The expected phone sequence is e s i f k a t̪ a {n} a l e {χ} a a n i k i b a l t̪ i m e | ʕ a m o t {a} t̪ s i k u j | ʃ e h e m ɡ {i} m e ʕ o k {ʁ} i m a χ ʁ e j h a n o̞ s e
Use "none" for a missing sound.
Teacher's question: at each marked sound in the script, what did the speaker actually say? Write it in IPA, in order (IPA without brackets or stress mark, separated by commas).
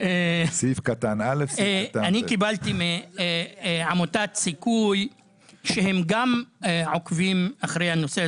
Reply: n, f, a, a, v